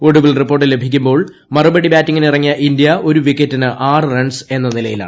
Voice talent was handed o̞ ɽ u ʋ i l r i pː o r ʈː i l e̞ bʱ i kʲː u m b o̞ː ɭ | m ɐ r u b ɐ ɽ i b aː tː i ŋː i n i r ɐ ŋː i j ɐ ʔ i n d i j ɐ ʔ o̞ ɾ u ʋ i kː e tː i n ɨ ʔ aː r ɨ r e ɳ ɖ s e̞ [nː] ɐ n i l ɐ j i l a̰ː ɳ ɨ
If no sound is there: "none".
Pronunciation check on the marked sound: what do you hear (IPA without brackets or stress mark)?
nː